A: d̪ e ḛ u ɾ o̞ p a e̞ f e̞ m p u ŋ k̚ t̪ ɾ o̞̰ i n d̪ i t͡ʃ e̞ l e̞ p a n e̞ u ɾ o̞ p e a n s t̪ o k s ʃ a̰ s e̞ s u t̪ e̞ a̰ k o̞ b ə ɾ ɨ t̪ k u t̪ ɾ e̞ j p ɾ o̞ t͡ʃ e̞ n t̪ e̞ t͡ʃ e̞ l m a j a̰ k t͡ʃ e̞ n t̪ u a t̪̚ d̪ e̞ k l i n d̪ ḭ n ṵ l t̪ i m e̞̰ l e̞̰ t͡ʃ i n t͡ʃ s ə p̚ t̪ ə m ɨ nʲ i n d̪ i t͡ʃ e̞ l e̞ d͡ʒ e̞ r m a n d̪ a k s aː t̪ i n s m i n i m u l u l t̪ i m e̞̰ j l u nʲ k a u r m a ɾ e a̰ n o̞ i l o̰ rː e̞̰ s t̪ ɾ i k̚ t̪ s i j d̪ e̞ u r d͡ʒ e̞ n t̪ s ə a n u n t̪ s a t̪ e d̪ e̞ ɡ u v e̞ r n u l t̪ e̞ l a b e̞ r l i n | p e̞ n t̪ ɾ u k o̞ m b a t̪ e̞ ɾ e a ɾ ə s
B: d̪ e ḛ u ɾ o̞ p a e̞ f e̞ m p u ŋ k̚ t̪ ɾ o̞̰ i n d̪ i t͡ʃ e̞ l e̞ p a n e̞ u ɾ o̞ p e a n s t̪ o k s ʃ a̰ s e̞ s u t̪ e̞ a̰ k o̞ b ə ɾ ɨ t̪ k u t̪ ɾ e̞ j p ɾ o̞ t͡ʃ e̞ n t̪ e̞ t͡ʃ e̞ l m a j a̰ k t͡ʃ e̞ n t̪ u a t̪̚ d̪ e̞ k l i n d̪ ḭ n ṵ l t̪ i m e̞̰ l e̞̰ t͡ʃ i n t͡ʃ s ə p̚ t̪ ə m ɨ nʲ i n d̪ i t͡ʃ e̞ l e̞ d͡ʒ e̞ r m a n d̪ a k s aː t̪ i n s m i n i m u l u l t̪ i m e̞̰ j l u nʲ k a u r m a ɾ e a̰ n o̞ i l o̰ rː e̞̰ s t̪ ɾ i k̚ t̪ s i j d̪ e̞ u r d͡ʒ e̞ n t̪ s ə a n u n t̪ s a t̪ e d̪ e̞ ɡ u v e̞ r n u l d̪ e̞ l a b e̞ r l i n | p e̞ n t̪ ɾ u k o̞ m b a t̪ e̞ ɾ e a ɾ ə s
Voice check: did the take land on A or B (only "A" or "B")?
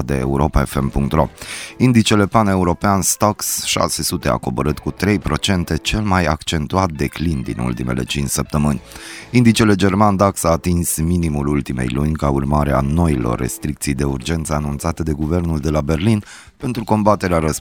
B